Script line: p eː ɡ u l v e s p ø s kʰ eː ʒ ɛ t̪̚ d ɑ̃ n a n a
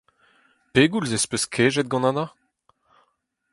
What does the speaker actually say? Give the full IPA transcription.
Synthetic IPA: p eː ɡ u l z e s p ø s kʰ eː ʒ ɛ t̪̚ ɡ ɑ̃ n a n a